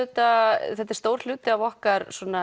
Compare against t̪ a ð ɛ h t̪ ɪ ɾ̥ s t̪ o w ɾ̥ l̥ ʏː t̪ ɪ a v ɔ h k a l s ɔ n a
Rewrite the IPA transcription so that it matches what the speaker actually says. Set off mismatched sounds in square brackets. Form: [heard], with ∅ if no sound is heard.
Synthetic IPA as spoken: t̪ a [θ] ɛ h t̪ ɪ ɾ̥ s t̪ o w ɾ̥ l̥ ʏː t̪ ɪ a v ɔ h k a [ɾ] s ɔ n a